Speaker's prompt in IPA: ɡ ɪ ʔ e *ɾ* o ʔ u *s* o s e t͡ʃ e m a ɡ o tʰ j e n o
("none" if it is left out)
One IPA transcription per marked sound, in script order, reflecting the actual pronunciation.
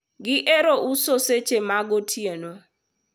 ɾ, s

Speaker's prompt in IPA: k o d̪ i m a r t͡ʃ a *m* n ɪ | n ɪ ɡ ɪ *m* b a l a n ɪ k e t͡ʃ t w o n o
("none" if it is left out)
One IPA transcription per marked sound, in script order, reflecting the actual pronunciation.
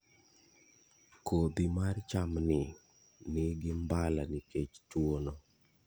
m, m

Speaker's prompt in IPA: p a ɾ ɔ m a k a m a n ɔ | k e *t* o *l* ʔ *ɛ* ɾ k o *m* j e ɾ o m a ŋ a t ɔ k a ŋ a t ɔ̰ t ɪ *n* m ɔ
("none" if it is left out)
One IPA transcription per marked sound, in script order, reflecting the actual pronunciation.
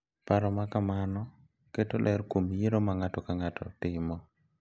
t, l, ɛ, m, none

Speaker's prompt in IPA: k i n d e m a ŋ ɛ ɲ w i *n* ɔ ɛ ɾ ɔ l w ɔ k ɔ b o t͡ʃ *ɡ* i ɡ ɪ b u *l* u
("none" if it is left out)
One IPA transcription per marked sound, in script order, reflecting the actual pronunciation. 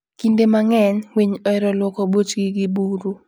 ɲ, ɡ, ɾ

